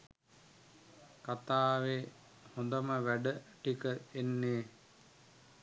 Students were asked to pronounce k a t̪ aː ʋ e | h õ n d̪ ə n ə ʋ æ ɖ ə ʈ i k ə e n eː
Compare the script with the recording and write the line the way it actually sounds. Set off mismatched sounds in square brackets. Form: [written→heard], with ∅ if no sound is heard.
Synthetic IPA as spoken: k a t̪ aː ʋ e | h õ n d̪ ə [n→m] ə ʋ æ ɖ ə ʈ i k ə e [n→nː] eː